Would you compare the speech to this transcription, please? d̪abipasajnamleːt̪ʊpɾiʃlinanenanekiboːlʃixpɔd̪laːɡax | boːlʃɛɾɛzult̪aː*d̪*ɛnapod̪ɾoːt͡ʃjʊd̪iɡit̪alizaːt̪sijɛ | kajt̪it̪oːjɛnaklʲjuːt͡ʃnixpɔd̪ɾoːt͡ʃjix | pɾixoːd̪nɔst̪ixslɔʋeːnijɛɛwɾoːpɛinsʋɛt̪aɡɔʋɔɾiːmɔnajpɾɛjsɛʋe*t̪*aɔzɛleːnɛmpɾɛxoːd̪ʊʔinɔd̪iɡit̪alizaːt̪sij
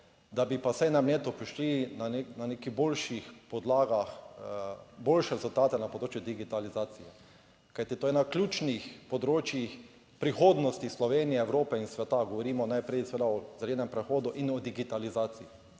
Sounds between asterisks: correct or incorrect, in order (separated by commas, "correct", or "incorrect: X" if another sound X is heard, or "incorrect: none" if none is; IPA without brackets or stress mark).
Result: incorrect: t̪, incorrect: d̪